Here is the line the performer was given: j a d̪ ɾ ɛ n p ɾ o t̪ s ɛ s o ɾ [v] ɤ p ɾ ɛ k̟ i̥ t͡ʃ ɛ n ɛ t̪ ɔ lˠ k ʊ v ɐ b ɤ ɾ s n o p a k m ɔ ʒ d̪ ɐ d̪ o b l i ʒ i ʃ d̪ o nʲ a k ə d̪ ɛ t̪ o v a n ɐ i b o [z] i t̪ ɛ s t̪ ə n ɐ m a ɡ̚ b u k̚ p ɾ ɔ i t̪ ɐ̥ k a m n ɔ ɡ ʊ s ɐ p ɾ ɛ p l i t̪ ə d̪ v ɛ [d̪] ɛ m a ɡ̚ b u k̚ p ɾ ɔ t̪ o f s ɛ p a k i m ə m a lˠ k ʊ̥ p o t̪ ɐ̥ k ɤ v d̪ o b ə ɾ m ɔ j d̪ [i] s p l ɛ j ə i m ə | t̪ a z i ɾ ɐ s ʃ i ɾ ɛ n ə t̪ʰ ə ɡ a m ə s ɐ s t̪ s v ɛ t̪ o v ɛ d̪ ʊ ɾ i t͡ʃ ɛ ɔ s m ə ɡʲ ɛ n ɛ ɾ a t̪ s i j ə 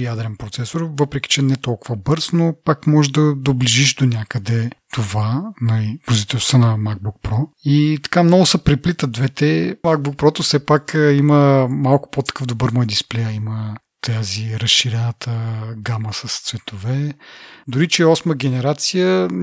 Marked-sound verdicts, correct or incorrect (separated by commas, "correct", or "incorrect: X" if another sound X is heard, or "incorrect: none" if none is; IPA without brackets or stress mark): correct, correct, incorrect: t̪, correct